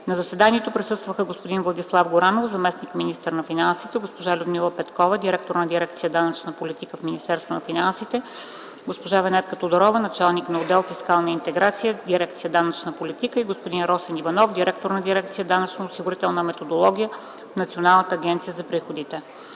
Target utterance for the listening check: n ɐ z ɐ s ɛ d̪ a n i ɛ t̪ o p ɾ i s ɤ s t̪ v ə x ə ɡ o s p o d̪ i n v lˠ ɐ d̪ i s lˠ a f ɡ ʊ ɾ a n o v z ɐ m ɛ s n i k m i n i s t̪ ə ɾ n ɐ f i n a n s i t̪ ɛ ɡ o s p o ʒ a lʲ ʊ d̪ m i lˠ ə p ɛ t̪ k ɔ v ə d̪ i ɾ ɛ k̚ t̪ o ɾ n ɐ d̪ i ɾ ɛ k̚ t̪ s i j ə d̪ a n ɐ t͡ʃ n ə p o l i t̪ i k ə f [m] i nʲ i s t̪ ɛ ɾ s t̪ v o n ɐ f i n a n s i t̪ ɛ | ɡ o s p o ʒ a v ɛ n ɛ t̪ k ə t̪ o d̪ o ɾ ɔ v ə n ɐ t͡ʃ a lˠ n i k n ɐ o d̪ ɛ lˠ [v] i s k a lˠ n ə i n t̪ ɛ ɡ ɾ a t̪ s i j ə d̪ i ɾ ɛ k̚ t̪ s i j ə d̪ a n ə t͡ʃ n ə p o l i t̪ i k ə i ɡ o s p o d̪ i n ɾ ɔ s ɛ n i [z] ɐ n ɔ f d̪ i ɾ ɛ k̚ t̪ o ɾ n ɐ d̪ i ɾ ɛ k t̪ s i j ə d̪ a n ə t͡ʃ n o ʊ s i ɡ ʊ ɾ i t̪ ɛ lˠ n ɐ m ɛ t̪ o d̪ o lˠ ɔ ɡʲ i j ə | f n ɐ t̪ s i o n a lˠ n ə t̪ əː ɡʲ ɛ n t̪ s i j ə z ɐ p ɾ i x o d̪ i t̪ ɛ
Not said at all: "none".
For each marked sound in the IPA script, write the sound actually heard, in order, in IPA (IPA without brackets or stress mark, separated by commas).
m, f, v